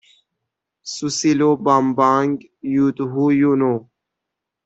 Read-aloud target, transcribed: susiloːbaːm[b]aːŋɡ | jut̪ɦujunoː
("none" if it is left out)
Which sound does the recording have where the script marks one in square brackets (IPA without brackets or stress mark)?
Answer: b